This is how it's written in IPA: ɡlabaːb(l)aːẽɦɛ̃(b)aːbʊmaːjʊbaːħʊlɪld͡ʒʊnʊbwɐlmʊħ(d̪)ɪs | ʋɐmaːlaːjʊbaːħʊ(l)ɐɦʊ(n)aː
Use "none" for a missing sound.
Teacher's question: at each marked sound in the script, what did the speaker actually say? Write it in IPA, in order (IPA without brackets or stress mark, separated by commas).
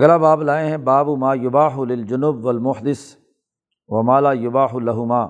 l, b, d̪, l, m